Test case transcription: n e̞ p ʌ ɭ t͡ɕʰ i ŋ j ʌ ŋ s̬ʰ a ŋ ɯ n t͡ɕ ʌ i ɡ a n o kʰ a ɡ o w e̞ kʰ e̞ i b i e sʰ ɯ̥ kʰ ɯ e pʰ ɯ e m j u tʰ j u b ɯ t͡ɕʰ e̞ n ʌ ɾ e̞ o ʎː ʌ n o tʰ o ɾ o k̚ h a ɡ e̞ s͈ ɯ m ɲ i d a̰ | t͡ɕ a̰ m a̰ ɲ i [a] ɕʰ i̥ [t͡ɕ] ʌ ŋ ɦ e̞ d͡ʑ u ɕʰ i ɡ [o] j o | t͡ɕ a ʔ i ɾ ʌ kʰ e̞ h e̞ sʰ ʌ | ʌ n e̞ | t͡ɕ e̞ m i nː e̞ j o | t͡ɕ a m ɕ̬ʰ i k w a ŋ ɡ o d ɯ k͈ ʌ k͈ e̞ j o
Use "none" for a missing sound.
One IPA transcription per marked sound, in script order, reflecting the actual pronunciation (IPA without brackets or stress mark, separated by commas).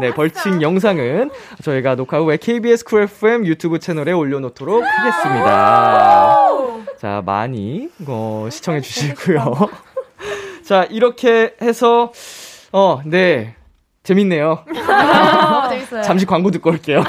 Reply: ʌ, t͡ɕʰ, u